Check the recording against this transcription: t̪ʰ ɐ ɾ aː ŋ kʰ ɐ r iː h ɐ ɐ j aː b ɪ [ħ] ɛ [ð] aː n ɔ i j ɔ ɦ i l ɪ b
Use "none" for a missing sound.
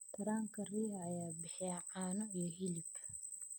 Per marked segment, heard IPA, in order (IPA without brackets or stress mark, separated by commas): ħ, ʕ